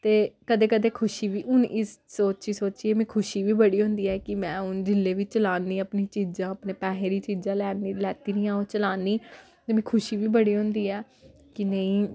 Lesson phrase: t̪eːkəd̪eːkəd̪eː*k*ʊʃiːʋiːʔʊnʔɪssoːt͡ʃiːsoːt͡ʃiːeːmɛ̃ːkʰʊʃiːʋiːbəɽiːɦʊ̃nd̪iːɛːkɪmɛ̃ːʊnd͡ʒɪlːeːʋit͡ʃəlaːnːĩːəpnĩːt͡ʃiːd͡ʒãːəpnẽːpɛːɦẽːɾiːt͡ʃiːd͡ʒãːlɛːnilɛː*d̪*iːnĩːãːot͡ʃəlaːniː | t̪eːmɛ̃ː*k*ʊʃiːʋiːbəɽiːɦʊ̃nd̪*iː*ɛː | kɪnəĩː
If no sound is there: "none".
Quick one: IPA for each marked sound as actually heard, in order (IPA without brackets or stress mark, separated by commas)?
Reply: kʰ, t̪, kʰ, iː